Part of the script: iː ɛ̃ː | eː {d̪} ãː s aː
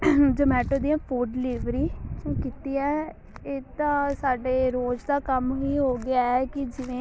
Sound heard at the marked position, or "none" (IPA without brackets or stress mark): t̪